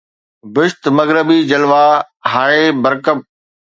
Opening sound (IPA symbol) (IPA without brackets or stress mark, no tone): b